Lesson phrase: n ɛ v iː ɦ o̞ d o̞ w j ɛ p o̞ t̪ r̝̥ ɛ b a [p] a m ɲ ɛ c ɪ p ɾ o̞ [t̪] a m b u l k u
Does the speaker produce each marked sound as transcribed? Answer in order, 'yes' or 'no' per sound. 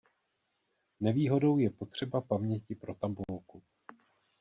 yes, yes

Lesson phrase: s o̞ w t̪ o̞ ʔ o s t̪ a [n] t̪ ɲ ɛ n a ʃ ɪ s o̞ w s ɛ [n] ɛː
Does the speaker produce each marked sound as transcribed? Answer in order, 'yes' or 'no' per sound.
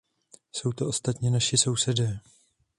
no, no

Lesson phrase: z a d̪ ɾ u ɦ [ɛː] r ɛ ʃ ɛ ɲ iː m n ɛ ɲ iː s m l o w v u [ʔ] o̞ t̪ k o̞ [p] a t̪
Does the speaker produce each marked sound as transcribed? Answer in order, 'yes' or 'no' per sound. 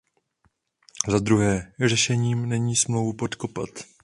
yes, no, yes

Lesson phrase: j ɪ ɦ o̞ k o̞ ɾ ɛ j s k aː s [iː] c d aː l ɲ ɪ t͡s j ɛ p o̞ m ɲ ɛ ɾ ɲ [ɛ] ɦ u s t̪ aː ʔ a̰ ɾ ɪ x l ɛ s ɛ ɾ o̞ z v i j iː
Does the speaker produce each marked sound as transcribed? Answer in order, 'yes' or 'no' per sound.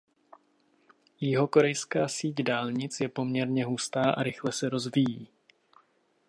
yes, yes

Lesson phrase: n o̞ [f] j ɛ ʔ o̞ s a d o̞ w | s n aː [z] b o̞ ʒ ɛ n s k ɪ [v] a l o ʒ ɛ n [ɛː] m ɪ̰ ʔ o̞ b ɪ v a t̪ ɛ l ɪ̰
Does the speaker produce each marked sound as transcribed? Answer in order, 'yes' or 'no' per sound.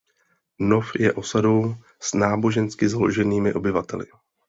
yes, no, no, no

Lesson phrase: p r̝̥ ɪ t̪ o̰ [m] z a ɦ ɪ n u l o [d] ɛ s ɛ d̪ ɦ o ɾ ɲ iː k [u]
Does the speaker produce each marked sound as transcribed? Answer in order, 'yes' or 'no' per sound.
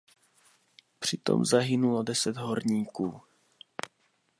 yes, yes, no

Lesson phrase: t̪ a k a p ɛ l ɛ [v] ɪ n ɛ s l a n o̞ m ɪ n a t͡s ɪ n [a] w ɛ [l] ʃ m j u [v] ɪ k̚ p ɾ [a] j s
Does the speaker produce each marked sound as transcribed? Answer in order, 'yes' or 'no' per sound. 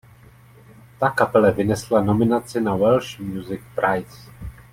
yes, yes, yes, no, yes

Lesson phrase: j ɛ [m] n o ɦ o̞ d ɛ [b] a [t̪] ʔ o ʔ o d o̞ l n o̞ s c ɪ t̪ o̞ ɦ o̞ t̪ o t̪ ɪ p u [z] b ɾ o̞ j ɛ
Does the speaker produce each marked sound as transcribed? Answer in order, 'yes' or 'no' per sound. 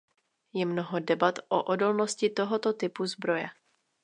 yes, yes, yes, yes

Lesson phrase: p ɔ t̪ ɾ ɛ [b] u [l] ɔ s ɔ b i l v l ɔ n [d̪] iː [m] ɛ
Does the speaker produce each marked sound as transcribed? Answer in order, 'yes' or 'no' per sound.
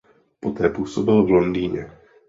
no, no, yes, no

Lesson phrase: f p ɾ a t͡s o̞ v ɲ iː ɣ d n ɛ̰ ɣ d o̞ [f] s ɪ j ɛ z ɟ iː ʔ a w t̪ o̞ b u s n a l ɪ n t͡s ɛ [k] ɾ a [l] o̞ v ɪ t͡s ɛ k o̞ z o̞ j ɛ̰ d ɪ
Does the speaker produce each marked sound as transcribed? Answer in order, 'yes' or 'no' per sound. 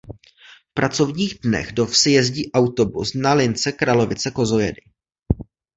yes, yes, yes

